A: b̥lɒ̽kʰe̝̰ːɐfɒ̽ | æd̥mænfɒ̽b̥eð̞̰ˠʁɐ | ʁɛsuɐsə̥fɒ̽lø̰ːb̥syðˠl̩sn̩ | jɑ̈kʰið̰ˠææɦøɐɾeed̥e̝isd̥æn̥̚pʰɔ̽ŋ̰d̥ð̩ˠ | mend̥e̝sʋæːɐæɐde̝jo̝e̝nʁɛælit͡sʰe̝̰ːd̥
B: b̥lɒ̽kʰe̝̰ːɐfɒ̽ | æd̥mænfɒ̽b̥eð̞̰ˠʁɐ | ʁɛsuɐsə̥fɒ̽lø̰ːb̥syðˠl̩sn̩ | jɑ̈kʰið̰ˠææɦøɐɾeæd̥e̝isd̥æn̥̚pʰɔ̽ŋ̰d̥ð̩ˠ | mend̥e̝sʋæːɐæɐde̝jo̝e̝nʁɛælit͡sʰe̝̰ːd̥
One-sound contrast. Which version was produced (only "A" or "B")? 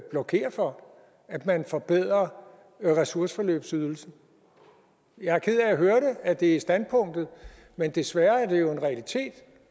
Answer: B